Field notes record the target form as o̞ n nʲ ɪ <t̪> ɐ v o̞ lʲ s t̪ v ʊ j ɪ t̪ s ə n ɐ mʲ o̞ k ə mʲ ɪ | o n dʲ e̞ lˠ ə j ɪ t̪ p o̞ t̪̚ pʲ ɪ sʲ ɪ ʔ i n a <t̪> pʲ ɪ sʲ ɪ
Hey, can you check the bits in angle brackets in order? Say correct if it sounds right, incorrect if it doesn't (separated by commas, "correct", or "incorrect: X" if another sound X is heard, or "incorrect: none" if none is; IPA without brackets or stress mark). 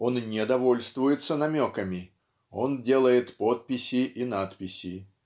incorrect: d̪, correct